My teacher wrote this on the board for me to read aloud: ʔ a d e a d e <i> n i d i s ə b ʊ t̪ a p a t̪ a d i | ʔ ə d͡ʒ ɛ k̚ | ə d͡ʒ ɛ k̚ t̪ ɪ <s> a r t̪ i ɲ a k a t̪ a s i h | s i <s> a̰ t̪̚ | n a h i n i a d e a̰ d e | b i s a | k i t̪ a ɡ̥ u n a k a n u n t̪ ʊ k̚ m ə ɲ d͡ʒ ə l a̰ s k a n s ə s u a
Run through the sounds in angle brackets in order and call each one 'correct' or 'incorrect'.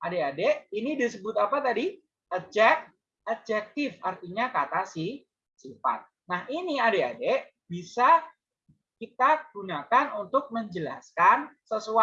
correct, incorrect: f, incorrect: f

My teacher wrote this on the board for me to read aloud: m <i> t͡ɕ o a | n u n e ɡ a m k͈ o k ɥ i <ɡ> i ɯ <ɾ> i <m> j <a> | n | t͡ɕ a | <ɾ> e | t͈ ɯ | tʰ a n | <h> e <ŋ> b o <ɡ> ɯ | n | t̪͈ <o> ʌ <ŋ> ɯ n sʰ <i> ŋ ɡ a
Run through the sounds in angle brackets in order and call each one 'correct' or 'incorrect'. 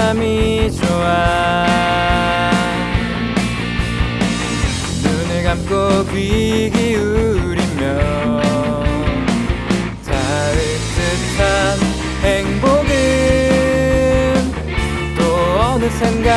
correct, correct, correct, correct, incorrect: ʌ, correct, correct, correct, correct, correct, incorrect: n, incorrect: e

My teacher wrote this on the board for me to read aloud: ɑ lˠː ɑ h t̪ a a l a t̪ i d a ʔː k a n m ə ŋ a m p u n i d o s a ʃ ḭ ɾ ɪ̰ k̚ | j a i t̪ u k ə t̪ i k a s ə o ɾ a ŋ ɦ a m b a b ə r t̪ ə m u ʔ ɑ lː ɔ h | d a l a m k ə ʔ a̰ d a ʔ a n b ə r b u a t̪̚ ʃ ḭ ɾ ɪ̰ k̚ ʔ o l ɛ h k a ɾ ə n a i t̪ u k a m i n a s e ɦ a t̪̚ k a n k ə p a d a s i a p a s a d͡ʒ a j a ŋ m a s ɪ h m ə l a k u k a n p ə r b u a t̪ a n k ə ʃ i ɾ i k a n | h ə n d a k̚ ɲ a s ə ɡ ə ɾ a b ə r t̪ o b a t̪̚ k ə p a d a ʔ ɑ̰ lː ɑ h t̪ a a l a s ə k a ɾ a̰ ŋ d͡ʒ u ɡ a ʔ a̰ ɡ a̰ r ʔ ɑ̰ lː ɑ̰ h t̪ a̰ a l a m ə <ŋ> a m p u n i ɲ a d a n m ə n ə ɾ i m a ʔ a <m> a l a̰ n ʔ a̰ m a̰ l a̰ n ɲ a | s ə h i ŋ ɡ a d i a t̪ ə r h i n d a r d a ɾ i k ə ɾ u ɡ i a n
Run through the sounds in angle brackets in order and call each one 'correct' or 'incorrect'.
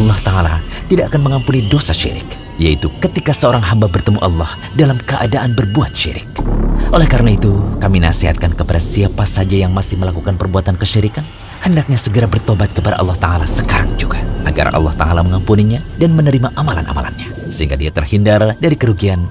correct, correct

